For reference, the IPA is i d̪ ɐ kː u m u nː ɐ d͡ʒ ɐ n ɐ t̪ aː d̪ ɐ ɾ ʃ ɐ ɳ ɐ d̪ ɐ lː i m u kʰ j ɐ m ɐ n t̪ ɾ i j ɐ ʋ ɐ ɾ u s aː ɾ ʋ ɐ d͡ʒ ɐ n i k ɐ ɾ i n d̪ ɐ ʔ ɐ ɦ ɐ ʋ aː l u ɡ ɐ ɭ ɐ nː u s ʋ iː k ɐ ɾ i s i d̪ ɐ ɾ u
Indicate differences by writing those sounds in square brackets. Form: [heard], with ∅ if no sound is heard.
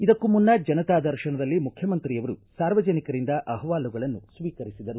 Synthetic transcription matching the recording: i d̪ ɐ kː u m u nː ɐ d͡ʒ ɐ n ɐ t̪ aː d̪ ɐ ɾ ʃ ɐ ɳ ɐ d̪ ɐ lː i m u kʰ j ɐ m ɐ n t̪ ɾ i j ɐ ʋ ɐ ɾ u s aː ɾ ʋ ɐ d͡ʒ ɐ n i k ɐ ɾ i n d̪ ɐ ʔ ɐ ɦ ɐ ʋ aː l u ɡ ɐ ɭ ɐ nː u s ʋ iː k ɐ ɾ i s i d̪ ɐ ɾ u